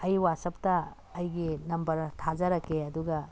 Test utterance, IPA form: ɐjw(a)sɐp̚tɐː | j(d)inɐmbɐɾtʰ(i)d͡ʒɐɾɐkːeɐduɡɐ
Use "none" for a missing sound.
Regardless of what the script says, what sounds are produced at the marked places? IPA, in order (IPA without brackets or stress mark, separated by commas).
a, ɡ, a